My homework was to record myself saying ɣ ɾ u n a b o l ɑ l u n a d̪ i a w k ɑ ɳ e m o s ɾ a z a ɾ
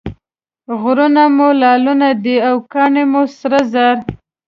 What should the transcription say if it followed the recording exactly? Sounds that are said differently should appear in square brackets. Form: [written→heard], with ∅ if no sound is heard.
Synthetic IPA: ɣ ɾ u n a [b→m] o l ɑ l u n a d̪ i a w k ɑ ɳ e m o s ɾ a z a ɾ